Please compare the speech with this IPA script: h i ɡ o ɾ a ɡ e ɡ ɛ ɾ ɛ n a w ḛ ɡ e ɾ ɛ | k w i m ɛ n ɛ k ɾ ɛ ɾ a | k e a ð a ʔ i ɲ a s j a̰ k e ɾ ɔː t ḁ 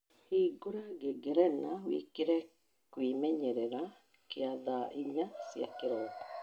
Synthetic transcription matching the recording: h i ɡ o ɾ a ɡ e ɡ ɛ ɾ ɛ n a w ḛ k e ɾ ɛ | k w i m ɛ ɲ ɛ ɾ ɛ ɾ a | k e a ð a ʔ i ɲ a s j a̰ k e ɾ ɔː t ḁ